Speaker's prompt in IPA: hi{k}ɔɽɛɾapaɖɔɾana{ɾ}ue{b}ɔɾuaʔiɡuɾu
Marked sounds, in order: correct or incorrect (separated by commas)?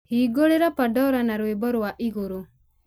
incorrect, correct, correct